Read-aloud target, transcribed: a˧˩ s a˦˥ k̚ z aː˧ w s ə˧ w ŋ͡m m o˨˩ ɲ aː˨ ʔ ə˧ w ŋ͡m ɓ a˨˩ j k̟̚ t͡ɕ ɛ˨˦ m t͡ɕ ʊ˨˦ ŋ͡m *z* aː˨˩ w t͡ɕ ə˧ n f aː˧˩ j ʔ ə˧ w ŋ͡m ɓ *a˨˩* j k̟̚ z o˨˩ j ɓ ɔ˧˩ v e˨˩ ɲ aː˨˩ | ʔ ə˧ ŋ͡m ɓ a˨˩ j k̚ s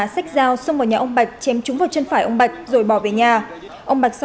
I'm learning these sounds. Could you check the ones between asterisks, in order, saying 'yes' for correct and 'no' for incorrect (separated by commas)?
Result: no, yes